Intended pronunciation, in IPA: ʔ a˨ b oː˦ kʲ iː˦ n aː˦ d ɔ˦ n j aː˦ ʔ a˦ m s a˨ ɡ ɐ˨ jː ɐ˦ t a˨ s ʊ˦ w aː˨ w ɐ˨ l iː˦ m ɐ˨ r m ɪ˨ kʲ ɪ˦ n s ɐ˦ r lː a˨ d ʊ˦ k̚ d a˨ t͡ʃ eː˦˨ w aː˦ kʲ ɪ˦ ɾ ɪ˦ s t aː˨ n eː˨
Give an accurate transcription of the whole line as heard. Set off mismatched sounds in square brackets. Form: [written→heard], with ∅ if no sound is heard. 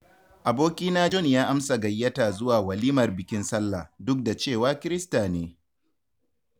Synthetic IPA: ʔ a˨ b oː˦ kʲ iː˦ n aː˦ [d→d͡ʒ] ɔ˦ n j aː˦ ʔ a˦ m s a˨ ɡ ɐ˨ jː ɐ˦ t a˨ [s→z] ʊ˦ w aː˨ w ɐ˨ l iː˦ m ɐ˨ r [m→b] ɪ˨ kʲ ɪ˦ n s ɐ˦ [r→∅] lː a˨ d ʊ˦ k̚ d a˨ t͡ʃ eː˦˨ w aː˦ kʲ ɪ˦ ɾ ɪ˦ s t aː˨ n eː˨